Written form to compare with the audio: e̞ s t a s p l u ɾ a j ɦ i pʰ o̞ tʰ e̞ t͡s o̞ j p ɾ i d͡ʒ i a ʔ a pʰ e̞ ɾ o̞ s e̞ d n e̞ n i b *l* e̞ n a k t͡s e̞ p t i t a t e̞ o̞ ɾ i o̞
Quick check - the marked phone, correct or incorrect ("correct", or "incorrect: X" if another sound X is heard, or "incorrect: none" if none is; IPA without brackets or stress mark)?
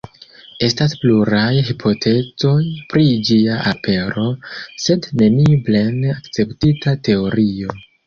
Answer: correct